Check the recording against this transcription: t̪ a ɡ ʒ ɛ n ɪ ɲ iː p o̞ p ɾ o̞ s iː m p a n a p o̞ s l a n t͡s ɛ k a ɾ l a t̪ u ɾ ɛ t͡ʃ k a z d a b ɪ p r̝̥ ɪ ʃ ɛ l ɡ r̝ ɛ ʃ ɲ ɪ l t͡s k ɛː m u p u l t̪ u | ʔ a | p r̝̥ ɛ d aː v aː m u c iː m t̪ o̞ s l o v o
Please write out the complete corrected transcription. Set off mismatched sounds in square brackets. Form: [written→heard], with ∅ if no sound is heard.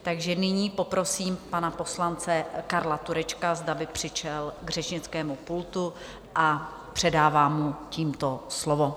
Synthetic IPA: t̪ a ɡ ʒ ɛ n ɪ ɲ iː p o̞ p ɾ o̞ s iː m p a n a p o̞ s l a n t͡s ɛ k a ɾ l a t̪ u ɾ ɛ t͡ʃ k a z d a b ɪ p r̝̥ ɪ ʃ ɛ l ɡ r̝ ɛ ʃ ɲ ɪ [l→∅] t͡s k ɛː m u p u l t̪ u | ʔ a | p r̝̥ ɛ d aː v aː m u c iː m t̪ o̞ s l o v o